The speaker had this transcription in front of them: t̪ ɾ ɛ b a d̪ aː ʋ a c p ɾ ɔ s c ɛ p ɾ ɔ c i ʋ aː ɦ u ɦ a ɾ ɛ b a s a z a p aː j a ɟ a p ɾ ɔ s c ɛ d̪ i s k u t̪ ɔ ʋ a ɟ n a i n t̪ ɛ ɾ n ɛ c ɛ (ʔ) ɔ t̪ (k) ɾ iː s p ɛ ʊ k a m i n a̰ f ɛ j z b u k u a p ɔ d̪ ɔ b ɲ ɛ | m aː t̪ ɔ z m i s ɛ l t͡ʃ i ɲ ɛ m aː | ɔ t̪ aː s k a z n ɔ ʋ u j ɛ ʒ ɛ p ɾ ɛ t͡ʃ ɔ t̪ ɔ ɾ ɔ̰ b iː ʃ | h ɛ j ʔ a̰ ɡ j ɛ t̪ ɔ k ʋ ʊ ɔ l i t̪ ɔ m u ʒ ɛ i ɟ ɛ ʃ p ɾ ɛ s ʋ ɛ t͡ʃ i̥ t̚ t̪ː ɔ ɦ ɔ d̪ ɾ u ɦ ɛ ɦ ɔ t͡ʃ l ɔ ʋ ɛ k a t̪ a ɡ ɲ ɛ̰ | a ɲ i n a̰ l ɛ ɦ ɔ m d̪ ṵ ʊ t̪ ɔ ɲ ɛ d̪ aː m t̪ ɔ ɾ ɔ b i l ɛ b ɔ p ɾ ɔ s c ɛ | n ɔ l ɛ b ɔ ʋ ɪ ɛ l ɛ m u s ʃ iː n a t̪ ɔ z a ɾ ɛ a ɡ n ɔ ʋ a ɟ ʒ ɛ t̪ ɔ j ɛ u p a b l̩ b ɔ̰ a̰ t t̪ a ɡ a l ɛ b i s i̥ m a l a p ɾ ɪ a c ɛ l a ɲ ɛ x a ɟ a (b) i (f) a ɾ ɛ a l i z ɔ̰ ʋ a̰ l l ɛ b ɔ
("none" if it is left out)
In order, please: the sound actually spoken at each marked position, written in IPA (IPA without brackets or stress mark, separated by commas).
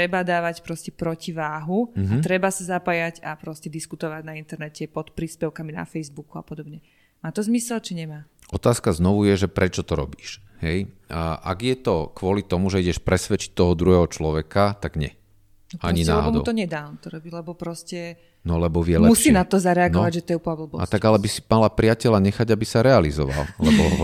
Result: p, p, b, s